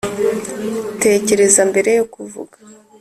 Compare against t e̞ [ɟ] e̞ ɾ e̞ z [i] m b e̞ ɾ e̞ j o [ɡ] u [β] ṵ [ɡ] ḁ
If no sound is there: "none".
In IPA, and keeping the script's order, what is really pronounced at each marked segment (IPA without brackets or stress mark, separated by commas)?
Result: c, a, k, v, ɡ